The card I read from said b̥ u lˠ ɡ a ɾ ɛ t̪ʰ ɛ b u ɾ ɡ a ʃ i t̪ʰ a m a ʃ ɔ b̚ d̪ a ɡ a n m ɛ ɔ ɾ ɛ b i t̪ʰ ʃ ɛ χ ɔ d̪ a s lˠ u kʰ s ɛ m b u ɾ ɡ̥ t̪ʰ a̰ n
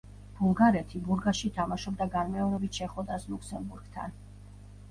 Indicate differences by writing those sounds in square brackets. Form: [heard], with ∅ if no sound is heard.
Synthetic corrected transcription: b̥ u lˠ ɡ a ɾ ɛ t̪ʰ [i] b u ɾ ɡ a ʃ i t̪ʰ a m a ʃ ɔ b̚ d̪ a ɡ a n m ɛ ɔ ɾ ɛ b i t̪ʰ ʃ ɛ χ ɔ d̪ a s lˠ u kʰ s ɛ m b u ɾ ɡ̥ t̪ʰ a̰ n

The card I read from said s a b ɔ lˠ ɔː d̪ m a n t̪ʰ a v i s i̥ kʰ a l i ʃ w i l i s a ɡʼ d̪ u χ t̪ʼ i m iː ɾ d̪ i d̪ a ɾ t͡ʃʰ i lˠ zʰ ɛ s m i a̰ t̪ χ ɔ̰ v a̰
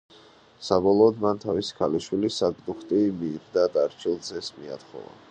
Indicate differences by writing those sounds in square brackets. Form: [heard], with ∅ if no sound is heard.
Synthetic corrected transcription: s a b ɔ lˠ ɔː d̪ m a n t̪ʰ a v i s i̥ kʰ a l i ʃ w i l i s a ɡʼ d̪ u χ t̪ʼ i m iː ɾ d̪ [a] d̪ a ɾ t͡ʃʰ i lˠ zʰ ɛ s m i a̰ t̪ χ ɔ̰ v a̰

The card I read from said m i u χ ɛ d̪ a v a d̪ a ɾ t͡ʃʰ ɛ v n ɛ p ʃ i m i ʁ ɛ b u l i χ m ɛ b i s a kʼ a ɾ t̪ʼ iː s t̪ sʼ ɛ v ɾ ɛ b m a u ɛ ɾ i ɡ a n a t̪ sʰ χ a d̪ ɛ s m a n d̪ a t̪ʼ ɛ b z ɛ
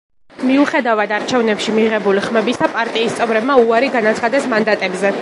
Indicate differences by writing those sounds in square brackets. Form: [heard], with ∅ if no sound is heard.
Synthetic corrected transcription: m i u χ ɛ d̪ a v a d̪ a ɾ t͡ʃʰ ɛ v n ɛ p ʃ i m i ʁ ɛ b u l i χ m ɛ b i s a [pʼ] a ɾ t̪ʼ iː s t̪ sʼ ɛ v ɾ ɛ b m a u [a] ɾ i ɡ a n a t̪ sʰ χ a d̪ ɛ s m a n d̪ a t̪ʼ ɛ b z ɛ

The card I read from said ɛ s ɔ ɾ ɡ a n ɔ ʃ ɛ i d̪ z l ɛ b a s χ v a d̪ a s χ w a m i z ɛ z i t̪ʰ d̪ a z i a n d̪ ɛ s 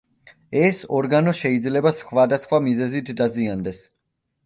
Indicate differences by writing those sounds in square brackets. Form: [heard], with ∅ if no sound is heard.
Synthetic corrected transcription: ɛ s ɔ ɾ ɡ a n ɔ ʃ ɛ i d̪ z l ɛ b a s χ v a d̪ a s χ w a m i z ɛ z i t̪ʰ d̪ a z i a n d̪ ɛ s

